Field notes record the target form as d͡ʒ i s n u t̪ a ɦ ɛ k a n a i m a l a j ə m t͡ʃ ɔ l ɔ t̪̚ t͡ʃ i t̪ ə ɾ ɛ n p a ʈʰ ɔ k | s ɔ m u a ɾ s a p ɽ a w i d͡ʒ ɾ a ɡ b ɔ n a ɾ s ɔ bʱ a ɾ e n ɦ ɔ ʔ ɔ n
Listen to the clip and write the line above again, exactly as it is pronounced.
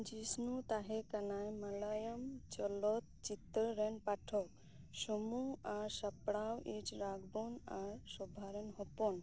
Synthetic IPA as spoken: d͡ʒ i s n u t̪ a ɦ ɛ k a n a j m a l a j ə m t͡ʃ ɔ l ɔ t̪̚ t͡ʃ i t̪ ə ɾ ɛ n p a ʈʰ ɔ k | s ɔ m u a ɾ s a p ɽ a w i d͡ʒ ɾ a ɡ b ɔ n a ɾ s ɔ bʱ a ɾ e n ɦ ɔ p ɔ n